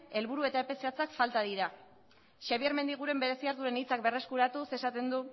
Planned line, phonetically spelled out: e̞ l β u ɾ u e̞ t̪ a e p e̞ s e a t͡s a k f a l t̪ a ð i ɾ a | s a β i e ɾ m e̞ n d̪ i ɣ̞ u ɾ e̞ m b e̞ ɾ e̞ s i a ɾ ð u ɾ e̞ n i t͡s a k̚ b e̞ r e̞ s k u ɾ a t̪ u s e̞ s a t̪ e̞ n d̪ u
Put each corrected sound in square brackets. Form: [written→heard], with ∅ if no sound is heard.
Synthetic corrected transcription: e̞ l β u ɾ u e̞ t̪ a e p e̞ s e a t͡s a k f a l t̪ a ð i ɾ a | [s→ʃ] a β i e ɾ m e̞ n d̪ i ɣ̞ u ɾ e̞ m b e̞ ɾ e̞ s i a ɾ ð u ɾ e̞ n i t͡s a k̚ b e̞ r e̞ s k u ɾ a t̪ u s e̞ s a t̪ e̞ n d̪ u